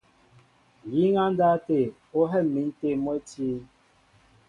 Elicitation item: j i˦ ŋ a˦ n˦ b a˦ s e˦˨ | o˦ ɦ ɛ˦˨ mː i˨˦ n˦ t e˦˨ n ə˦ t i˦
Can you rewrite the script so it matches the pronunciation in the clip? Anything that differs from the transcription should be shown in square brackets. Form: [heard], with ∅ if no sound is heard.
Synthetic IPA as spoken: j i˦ ŋ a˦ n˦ [d] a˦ [t] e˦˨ | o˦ ɦ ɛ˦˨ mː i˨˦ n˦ t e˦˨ [m] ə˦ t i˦